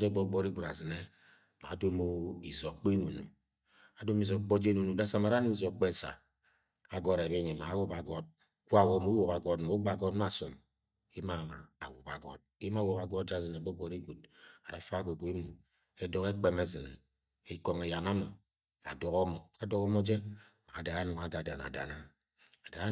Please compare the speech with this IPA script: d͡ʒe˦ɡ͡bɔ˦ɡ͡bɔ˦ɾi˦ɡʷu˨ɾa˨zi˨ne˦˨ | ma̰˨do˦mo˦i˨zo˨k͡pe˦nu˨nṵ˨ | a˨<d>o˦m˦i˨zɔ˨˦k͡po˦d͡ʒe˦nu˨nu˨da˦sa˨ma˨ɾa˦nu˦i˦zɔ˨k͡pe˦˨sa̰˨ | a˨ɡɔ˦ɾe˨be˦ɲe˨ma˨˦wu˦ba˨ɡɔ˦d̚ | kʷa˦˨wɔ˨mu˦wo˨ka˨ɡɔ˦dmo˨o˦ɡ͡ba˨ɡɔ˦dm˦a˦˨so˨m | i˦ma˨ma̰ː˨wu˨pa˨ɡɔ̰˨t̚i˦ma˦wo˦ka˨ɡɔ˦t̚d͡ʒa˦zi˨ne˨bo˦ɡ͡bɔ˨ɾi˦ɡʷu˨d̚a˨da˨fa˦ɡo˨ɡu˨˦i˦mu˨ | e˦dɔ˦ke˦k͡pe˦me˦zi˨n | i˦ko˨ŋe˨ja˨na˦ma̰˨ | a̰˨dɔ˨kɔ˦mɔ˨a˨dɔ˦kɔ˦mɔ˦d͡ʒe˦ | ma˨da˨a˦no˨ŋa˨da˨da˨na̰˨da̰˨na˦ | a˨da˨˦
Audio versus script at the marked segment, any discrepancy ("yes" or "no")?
no